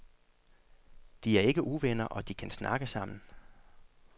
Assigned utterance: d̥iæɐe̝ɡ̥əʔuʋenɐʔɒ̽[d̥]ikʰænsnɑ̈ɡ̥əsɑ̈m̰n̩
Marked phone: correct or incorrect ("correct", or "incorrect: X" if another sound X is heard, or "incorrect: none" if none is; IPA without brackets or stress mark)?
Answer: correct